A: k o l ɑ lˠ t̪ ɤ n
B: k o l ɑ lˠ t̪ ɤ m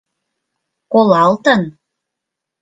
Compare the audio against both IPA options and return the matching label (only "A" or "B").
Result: A